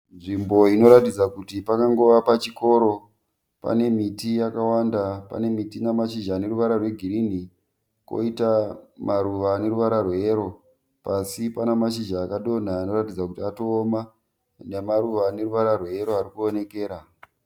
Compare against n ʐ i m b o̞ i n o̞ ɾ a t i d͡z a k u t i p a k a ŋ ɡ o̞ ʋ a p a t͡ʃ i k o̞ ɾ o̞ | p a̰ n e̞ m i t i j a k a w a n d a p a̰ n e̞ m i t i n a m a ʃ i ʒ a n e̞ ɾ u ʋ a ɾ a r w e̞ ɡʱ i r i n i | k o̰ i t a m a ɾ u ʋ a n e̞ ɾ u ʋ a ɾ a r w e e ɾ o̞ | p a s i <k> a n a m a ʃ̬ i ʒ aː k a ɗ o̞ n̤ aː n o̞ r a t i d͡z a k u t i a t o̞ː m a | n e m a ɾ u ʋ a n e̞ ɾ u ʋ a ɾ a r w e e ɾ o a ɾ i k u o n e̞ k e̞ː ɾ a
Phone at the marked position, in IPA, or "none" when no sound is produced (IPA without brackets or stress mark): p